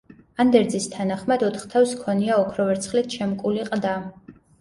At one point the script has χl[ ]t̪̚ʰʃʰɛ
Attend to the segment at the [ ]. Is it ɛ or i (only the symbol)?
i